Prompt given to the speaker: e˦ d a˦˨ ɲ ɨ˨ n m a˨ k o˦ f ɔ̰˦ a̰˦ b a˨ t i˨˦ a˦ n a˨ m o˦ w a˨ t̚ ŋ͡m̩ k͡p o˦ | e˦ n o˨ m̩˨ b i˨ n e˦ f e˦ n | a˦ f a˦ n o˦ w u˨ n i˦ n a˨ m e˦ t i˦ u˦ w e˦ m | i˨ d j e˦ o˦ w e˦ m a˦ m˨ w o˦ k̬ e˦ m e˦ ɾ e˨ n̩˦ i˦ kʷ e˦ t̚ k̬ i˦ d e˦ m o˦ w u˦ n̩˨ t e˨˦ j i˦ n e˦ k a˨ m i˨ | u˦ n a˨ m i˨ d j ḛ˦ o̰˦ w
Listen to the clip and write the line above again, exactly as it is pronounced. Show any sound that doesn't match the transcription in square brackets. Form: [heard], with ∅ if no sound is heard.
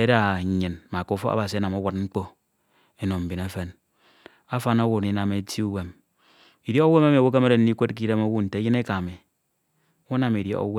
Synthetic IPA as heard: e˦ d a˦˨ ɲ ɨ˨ n m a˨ k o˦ f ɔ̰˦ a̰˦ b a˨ [s] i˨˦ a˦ n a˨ m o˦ w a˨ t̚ ŋ͡m̩ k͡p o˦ | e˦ n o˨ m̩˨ b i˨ n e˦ f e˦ n | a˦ f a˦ n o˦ w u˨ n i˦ n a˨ m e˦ t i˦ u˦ w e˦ m | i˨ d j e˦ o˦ w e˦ m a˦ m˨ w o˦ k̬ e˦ m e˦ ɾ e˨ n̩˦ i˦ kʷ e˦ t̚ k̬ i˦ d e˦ m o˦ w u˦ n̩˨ t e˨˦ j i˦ n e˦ k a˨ m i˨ | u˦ n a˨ m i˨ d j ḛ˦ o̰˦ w